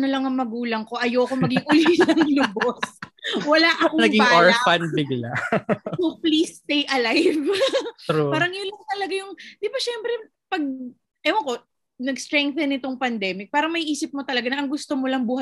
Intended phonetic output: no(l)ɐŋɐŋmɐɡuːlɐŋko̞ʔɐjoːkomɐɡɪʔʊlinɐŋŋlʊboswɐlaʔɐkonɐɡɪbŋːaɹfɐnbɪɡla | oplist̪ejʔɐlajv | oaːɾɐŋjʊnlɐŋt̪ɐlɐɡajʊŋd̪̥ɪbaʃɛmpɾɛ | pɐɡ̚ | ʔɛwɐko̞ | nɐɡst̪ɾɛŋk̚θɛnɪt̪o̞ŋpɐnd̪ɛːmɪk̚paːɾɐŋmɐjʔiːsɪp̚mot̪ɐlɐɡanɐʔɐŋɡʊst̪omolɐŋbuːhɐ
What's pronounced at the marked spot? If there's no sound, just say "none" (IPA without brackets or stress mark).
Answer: l